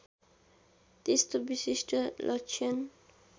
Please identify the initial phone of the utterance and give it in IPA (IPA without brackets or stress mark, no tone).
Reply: t̪